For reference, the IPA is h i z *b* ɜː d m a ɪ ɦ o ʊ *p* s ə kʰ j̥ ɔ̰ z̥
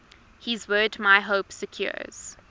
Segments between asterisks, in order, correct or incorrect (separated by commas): incorrect, correct